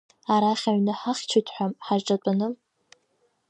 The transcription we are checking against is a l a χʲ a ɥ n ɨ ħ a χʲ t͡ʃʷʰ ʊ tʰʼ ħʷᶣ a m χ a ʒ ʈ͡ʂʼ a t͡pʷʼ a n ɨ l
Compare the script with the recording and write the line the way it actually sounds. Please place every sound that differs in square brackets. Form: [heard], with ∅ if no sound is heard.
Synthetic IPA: a [ɾ] a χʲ a ɥ n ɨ ħ a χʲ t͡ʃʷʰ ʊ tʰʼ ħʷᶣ a m [ħ] a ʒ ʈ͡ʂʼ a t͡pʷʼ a n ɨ l